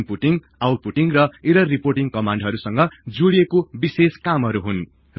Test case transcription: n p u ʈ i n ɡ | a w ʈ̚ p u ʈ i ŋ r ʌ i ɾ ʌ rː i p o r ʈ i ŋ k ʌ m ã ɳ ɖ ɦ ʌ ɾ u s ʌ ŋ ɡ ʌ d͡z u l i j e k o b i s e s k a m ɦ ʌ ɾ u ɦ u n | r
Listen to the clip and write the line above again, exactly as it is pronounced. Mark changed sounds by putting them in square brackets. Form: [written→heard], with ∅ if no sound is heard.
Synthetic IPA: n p u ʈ i [n→ŋ] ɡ | a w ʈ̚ p u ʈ i ŋ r ʌ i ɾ ʌ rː i p o r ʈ i ŋ k ʌ m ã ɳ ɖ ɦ ʌ ɾ u s ʌ ŋ ɡ ʌ d͡z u [l→ɽ] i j e k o b i s e s k a m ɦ ʌ ɾ u ɦ u n | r